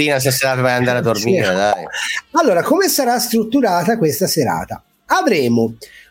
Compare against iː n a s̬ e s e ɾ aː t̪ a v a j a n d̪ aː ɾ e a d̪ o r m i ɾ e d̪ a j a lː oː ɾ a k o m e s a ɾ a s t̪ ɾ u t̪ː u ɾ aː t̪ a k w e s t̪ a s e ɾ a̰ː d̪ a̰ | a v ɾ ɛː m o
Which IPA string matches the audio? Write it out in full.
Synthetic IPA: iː n a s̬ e s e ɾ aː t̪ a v a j a n d̪ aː ɾ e a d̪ o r m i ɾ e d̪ a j a lː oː ɾ a k o m e s a ɾ a s t̪ ɾ u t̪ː u ɾ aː t̪ a k w e s t̪ a s e ɾ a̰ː t̪ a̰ | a v ɾ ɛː m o